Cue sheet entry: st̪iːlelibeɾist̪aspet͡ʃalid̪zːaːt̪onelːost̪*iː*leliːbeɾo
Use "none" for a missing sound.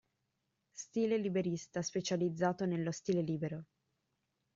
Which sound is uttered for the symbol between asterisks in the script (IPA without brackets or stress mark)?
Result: iː